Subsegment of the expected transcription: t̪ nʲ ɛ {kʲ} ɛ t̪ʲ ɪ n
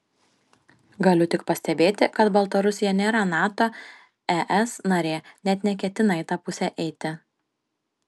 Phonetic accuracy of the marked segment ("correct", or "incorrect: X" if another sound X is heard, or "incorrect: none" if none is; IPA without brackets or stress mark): correct